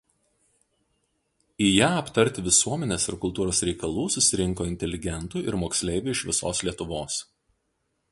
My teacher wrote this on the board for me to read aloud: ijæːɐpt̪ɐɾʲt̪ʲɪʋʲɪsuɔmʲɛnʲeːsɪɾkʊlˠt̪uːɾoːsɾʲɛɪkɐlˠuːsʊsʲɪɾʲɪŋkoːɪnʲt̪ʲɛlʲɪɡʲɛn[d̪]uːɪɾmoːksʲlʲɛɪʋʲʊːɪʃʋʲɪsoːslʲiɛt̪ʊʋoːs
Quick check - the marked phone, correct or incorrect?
incorrect